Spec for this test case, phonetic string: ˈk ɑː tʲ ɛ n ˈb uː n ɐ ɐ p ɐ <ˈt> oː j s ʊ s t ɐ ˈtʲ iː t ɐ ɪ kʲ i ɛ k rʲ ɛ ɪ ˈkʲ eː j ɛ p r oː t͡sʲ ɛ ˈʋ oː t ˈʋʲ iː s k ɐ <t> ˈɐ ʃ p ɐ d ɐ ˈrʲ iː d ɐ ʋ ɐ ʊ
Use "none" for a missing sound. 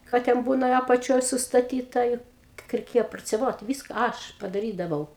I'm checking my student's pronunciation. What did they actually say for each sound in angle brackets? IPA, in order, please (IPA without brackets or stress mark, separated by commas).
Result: t͡ʃʲ, none